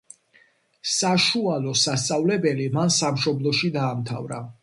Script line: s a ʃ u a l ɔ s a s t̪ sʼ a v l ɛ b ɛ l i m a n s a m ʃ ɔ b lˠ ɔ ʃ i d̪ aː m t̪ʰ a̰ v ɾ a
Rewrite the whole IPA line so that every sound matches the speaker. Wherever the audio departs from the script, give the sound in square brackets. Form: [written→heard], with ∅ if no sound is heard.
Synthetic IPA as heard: s a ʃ u a l ɔ s a s t̪ sʼ a v l ɛ b ɛ l i m a n s a m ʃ ɔ b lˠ ɔ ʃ i d̪ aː m t̪ʰ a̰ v ɾ a